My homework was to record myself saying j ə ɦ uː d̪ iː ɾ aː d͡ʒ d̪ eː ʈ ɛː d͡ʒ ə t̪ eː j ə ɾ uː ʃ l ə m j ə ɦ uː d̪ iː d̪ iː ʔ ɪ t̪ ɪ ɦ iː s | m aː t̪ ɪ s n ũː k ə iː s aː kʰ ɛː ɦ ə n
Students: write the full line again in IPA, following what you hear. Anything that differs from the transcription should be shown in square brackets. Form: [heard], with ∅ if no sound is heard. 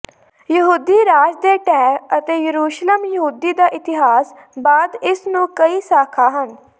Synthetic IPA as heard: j ə ɦ uː d̪ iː ɾ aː d͡ʒ d̪ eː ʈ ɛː [∅] ə t̪ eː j ə ɾ uː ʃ l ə m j ə ɦ uː d̪ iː d̪ [aː] ʔ ɪ t̪ ɪ ɦ [aː] s | [b] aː [d̪] ɪ s n ũː k ə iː s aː kʰ [aː] ɦ ə n